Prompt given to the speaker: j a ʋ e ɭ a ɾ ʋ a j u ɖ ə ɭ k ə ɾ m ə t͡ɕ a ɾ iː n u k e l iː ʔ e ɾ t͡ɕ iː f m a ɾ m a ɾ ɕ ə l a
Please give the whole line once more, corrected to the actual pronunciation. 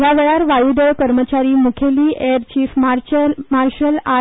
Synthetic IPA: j a ʋ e ɭ a ɾ ʋ a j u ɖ ə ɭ k ə ɾ m ə t͡ɕ a ɾ iː m u kʰ e l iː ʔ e ɾ t͡ɕ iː f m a ɾ m a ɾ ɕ ə l a